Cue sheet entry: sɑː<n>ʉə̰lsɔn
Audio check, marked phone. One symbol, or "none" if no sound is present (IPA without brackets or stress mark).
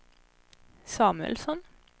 m